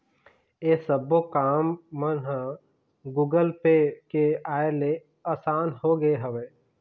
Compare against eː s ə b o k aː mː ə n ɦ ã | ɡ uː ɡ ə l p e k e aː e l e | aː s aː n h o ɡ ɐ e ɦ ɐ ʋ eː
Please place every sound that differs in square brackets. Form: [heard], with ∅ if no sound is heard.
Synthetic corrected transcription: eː s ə b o k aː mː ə n ɦ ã | ɡ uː ɡ ə l p e k e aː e l e | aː s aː n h o ɡ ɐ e ɦ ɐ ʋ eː